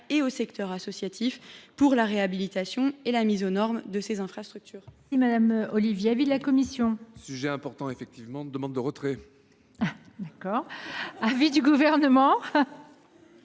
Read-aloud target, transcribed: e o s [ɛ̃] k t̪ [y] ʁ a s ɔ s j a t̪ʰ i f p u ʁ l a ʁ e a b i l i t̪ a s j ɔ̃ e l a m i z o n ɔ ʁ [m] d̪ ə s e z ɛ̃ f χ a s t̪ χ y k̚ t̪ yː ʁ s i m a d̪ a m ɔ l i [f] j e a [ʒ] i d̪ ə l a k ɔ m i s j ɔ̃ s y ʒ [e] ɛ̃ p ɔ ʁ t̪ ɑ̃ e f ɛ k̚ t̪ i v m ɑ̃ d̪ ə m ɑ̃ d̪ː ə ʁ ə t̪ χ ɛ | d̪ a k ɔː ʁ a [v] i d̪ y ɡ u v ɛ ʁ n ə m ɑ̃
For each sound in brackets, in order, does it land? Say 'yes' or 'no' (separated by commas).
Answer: no, no, yes, no, no, no, yes